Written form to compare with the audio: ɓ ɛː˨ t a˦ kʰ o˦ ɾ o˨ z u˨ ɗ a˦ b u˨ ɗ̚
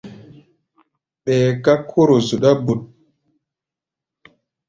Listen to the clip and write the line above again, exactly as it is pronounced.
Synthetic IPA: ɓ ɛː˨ k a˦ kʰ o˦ ɾ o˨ z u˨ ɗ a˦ b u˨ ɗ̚